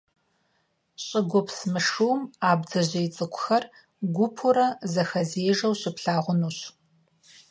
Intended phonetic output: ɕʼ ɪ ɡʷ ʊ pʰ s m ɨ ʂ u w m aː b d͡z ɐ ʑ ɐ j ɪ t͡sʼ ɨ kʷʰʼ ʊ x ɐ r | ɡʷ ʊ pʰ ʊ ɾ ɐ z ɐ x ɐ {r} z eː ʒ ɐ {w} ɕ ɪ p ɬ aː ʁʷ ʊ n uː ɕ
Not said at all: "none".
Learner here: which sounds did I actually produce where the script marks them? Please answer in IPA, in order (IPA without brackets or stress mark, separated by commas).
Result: none, w